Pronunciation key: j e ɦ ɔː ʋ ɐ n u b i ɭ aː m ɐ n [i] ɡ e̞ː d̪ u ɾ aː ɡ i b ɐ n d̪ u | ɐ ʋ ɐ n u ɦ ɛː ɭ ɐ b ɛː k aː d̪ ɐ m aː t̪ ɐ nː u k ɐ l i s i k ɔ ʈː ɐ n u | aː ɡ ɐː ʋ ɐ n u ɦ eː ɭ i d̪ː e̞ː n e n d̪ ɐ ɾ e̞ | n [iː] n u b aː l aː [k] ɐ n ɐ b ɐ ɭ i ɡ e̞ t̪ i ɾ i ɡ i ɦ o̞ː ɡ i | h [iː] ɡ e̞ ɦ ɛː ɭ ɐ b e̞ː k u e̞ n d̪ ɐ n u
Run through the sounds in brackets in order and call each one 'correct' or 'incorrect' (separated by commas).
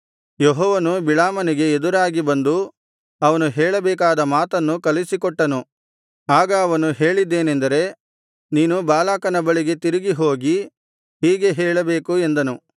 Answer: correct, correct, correct, correct